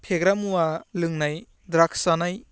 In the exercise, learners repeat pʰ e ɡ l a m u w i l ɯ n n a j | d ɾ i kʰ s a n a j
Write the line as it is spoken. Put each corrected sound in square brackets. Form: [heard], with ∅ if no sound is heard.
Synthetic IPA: pʰ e ɡ [ɾ] a m u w [a] l ɯ [ŋ] n a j | d ɾ [a] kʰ s a n a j